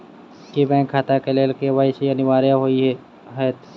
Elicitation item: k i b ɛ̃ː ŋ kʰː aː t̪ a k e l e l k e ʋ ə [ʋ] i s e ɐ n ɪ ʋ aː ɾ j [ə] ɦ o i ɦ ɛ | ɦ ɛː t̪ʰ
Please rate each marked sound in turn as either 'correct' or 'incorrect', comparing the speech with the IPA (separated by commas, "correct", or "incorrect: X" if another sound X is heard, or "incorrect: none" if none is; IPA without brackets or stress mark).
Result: incorrect: none, incorrect: a